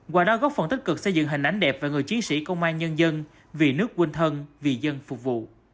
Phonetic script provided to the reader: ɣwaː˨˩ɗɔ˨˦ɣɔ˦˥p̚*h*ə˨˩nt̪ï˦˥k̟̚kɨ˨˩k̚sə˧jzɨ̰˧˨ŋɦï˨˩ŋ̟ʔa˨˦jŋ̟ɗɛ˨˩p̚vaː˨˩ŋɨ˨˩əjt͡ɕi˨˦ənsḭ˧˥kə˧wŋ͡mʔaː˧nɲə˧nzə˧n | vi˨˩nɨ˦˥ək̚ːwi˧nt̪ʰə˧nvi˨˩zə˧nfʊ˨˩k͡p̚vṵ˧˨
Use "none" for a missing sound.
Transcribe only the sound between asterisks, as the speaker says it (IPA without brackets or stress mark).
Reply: f